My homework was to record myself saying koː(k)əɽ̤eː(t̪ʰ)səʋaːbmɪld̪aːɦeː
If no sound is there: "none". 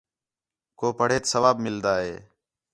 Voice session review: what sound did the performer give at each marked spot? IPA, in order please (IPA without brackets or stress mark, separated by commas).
p, t̪